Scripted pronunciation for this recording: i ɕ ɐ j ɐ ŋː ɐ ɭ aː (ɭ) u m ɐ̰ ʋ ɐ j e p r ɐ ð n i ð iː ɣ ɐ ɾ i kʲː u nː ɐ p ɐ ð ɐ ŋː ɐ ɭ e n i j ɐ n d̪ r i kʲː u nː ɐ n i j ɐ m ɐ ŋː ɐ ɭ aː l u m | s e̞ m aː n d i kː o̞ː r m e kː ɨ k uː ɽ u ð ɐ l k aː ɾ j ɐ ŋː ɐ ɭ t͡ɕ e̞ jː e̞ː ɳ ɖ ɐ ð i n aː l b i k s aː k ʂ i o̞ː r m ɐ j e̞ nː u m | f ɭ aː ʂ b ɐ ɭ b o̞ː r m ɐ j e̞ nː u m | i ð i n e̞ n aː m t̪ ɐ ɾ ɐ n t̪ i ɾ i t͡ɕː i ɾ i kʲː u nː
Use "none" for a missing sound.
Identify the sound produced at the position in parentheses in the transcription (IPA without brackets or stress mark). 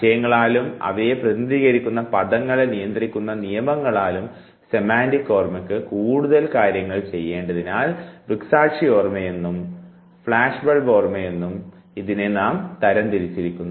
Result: l